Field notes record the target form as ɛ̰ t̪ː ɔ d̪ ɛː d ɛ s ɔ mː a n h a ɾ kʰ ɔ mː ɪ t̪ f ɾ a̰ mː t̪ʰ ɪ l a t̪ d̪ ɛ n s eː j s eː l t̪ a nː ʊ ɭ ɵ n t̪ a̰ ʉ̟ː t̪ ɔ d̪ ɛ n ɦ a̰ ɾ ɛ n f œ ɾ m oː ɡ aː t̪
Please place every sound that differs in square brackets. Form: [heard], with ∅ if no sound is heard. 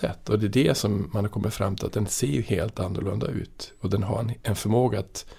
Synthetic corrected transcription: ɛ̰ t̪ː ɔ d̪ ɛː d ɛ s ɔ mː a n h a ɾ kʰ ɔ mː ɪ t̪ f ɾ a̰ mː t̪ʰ ɪ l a t̪ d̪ ɛ n s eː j [h] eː l t̪ a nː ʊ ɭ ɵ n [d̪] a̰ ʉ̟ː t̪ ɔ d̪ ɛ n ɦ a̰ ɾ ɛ n f œ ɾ m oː ɡ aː t̪